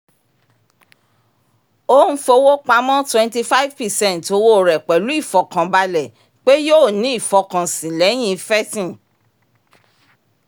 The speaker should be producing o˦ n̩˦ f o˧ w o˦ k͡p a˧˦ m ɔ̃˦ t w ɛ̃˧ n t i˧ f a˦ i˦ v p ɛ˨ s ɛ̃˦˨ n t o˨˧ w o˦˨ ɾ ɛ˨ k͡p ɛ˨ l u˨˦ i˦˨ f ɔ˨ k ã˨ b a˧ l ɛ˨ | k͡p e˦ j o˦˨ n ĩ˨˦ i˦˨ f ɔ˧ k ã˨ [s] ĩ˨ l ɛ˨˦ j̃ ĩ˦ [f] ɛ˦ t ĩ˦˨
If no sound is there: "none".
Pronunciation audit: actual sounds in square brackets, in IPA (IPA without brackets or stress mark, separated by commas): s, f